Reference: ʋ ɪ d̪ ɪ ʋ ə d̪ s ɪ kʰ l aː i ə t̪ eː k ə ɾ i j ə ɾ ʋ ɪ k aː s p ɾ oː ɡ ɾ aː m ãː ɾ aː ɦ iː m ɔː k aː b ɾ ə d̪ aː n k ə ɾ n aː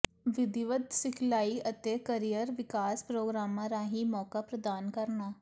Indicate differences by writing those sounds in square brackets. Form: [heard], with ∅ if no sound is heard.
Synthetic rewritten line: ʋ ɪ d̪ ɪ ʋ ə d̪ s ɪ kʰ l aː i ə t̪ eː k ə ɾ i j ə ɾ ʋ ɪ k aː s p ɾ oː ɡ ɾ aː m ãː ɾ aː ɦ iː m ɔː k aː [p] ɾ ə d̪ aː n k ə ɾ n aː